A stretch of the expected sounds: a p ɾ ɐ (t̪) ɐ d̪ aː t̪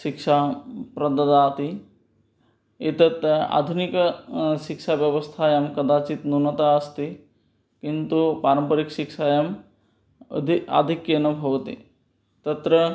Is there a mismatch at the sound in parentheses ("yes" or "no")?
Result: yes